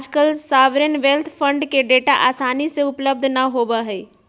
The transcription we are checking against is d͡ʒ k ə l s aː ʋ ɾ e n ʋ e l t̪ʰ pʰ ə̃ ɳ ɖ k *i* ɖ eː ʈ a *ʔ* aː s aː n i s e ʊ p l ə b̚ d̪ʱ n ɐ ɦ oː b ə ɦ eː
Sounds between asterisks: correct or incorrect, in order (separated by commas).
incorrect, correct